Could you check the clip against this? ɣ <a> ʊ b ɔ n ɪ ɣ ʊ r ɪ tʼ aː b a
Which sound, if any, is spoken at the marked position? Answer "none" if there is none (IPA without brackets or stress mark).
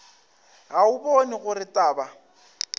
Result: a